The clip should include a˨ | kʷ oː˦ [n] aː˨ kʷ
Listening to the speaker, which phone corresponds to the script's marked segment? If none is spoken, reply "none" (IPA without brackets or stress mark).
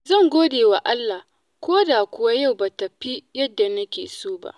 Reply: d